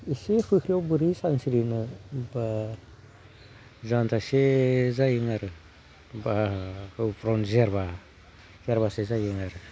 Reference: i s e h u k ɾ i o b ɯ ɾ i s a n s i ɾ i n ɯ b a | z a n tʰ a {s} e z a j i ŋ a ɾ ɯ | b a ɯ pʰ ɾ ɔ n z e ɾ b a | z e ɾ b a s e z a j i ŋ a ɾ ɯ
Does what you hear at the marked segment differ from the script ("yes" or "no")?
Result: no